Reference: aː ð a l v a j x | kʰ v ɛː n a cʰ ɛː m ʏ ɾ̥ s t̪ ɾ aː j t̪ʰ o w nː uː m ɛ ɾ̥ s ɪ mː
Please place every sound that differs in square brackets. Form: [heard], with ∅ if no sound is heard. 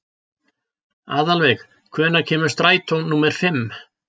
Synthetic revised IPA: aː ð a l v [ɛ] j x | kʰ v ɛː n a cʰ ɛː m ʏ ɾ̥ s t̪ ɾ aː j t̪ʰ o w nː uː m ɛ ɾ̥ [f] ɪ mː